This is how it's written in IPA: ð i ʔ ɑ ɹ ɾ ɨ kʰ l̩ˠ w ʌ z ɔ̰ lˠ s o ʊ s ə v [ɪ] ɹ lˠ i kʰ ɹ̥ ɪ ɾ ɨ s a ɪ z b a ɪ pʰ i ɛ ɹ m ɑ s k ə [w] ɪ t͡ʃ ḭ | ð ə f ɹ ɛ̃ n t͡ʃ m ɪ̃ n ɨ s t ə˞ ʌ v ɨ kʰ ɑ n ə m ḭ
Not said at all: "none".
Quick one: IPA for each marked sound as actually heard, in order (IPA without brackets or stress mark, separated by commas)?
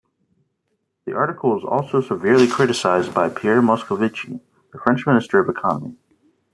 ɪ, v